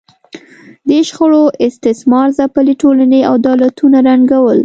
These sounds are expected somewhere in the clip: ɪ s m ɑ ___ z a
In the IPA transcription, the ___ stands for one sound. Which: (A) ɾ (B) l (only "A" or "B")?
A